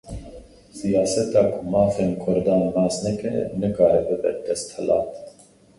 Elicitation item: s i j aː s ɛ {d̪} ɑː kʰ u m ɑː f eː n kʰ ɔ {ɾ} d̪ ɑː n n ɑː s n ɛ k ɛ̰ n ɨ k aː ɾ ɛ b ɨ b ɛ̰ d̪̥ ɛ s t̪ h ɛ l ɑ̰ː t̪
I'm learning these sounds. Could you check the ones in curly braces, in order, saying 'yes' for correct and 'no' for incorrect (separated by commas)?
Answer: no, yes